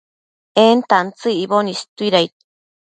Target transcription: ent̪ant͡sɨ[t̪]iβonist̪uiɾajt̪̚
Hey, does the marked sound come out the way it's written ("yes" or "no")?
no